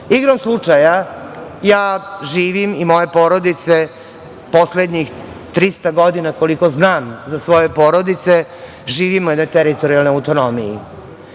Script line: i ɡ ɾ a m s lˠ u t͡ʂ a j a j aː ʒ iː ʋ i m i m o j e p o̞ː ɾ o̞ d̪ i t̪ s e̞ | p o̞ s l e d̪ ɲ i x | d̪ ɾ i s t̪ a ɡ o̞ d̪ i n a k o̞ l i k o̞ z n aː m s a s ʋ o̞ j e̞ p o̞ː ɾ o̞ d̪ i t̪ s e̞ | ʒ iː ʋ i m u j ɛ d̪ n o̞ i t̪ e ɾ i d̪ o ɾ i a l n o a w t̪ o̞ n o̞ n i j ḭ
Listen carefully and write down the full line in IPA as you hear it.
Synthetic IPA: i ɡ ɾ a m s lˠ u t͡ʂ a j a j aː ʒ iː ʋ i m i m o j e p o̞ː ɾ o̞ d̪ i t̪ s e̞ | p o̞ s l e d̪ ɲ i x | t̪ ɾ i s t̪ a ɡ o̞ d̪ i n a k o̞ l i k o̞ z n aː m z a s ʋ o̞ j e̞ p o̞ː ɾ o̞ d̪ i t̪ s e̞ | ʒ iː ʋ i m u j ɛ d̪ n o̞ j t̪ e ɾ i t̪ o ɾ i a l n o a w t̪ o̞ n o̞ m i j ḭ